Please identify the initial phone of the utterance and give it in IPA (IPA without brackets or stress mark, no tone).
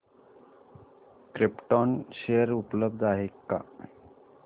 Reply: k